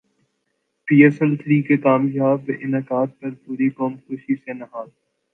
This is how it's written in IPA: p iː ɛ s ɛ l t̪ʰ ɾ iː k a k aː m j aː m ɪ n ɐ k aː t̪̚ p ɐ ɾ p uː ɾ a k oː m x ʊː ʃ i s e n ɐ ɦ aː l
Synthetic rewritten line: p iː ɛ s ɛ l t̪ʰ ɾ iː k e k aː m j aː b ɪ n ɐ k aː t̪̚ p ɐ ɾ p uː ɾ i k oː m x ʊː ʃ i s e n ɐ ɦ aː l

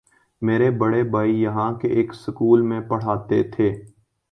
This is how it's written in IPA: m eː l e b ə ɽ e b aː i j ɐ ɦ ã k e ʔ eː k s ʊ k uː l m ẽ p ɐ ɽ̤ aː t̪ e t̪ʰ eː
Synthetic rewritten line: m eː ɾ e b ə ɽ e b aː i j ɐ ɦ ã k e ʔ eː k s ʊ k uː l m ẽ p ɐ ɽ̤ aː t̪ e t̪ʰ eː

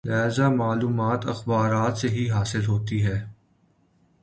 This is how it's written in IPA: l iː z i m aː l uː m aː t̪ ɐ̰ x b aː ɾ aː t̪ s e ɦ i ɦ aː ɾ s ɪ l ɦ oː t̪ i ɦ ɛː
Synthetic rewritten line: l aː z a m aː l uː m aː t̪ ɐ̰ x b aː ɾ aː t̪ s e ɦ i ɦ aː s ɪ l ɦ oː t̪ i ɦ ɛː

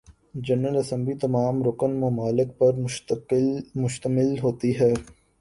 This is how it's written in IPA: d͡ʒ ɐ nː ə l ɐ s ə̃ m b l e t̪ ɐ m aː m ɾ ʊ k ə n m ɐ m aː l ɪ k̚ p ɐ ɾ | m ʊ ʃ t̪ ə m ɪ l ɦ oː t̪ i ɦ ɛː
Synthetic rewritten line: d͡ʒ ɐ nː ə l ɐ s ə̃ m b l i t̪ ɐ m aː m ɾ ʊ k ə n m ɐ m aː l ɪ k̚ p ɐ ɾ | m ʊ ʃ t̪ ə m ɪ l ɦ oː t̪ i ɦ ɛː

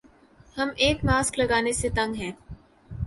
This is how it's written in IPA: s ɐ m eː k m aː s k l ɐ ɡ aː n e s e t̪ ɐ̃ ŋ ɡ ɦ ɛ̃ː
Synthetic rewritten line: h ɐ m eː k m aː s k l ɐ ɡ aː n e s e t̪ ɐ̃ ŋ ɡ ɦ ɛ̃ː

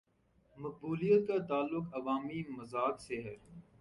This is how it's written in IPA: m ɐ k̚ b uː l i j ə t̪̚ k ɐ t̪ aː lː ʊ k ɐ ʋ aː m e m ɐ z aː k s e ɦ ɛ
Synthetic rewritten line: m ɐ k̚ b uː l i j ə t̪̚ k a t̪ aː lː ʊ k ɐ ʋ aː m i m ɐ z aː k s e ɦ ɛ

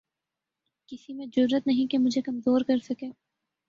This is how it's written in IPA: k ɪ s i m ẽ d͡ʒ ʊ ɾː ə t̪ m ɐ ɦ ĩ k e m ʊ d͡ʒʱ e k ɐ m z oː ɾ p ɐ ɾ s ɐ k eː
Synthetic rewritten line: k ɪ s i m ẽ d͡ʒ ʊ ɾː ə t̪ n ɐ ɦ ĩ k e m ʊ d͡ʒʱ e k ɐ m z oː ɾ k ɐ ɾ s ɐ k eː

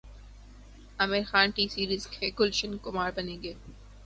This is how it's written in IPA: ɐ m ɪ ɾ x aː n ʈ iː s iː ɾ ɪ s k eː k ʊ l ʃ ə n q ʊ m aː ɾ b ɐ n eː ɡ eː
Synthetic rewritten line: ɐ m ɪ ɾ x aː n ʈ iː s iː ɾ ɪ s k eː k ʊ l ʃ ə n k ʊ m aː ɾ b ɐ n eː ɡ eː

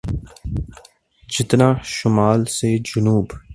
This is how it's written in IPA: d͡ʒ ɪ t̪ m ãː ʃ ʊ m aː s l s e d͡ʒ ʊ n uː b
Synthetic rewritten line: d͡ʒ ɪ t̪ n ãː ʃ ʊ m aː l s e d͡ʒ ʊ n uː b

